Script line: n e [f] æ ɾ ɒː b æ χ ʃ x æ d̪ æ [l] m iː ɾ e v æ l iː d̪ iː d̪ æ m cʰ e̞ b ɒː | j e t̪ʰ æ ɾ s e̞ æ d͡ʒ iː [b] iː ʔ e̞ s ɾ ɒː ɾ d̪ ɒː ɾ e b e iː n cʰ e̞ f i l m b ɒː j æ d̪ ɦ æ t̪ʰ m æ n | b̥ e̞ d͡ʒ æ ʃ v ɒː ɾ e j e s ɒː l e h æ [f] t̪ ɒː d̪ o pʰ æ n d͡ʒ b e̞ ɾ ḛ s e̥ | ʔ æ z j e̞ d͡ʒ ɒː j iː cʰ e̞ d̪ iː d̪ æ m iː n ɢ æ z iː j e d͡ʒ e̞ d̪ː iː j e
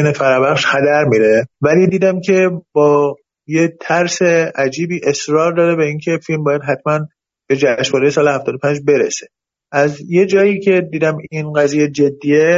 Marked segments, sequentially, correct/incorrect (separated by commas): correct, incorrect, correct, correct